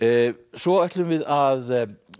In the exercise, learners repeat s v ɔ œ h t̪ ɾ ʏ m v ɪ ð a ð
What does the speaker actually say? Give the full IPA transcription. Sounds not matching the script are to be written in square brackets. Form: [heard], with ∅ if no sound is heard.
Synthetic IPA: s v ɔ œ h t̪ [l] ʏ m v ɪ ð a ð